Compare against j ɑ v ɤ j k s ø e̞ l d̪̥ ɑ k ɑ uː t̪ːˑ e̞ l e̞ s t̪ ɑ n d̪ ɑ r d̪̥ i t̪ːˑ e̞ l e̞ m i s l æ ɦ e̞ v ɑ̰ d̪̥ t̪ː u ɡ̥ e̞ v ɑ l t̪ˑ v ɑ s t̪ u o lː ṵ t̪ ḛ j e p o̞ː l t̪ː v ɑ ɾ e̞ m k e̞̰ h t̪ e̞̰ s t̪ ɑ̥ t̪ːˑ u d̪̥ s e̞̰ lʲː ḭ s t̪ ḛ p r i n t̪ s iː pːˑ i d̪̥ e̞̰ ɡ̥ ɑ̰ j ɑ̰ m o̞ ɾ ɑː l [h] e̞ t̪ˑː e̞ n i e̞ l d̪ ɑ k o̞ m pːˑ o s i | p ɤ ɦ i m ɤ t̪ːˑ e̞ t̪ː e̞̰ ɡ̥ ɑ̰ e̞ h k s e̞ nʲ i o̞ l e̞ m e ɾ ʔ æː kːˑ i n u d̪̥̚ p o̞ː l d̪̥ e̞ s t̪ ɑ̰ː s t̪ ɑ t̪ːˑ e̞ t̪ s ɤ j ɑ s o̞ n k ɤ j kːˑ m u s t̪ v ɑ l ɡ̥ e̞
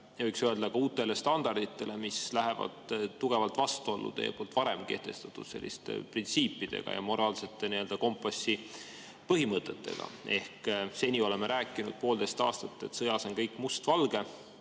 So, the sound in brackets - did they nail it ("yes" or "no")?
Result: no